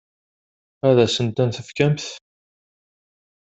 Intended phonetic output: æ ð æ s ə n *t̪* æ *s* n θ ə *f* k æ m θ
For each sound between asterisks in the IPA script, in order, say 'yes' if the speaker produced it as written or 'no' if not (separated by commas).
yes, no, yes